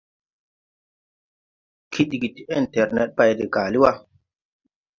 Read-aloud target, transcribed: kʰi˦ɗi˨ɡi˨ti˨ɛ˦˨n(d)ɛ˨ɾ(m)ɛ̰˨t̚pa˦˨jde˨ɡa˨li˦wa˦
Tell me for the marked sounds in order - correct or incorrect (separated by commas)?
incorrect, incorrect